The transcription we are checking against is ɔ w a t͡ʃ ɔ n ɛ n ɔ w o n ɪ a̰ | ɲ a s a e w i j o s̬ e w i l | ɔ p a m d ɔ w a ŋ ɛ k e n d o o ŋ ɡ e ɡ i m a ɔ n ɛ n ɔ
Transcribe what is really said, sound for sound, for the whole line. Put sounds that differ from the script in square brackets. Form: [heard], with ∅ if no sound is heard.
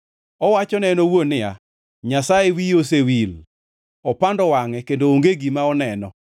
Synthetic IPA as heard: ɔ w a t͡ʃ ɔ n ɛ n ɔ w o n ɪ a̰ | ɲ a s a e w i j o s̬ e w i l | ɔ p a [n] d ɔ w a ŋ ɛ k e n d o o ŋ ɡ e ɡ i m a ɔ n ɛ n ɔ